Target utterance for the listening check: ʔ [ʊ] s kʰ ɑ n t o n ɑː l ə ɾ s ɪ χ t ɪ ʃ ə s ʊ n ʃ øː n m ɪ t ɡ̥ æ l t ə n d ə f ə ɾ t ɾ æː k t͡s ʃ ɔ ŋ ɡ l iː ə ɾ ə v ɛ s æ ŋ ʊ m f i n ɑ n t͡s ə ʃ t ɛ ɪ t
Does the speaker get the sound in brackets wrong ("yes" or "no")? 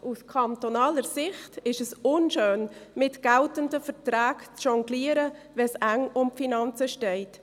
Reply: yes